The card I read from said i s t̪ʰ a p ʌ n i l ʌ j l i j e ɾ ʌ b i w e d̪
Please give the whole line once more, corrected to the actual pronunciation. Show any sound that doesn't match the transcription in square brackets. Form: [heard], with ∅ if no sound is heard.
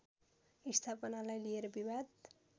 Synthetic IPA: i s t̪ʰ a p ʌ n [a] l [a] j l i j e ɾ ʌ b i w [a] d̪